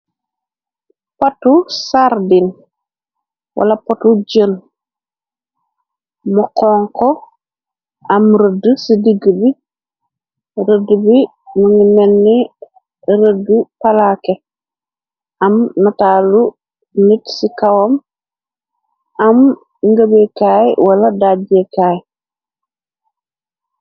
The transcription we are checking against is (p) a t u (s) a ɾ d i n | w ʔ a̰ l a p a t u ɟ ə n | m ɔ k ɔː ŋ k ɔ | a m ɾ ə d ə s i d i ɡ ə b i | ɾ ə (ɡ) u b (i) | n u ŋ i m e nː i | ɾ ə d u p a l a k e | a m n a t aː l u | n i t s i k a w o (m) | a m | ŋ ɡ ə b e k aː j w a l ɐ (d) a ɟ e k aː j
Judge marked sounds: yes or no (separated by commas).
yes, yes, no, yes, yes, yes